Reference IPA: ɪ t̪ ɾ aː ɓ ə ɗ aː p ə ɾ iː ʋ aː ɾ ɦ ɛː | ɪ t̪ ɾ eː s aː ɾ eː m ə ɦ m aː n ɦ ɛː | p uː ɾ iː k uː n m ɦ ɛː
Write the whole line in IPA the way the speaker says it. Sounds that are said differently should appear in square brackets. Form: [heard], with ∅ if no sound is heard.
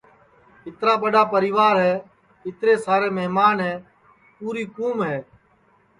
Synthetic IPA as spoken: ɪ t̪ ɾ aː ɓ ə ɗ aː p ə ɾ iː ʋ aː ɾ ɦ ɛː | ɪ t̪ ɾ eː s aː ɾ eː m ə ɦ m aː n ɦ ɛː | p uː ɾ iː k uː [∅] m ɦ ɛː